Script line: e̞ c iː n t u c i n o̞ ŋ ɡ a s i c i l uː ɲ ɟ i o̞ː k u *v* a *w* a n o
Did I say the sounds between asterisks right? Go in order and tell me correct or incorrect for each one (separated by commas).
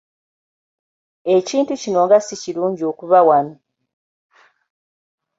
incorrect, correct